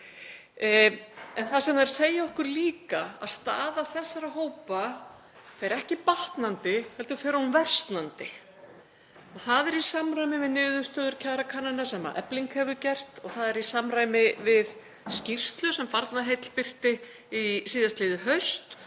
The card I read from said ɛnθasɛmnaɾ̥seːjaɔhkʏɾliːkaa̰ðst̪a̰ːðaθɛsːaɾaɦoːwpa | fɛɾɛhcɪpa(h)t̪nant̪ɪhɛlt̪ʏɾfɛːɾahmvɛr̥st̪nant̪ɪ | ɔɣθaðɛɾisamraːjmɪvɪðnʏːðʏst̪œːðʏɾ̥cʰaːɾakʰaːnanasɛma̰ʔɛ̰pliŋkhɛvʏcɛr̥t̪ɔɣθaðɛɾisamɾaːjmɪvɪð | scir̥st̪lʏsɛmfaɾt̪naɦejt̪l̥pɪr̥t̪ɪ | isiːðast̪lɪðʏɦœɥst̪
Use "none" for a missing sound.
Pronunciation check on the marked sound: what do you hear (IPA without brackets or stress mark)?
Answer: h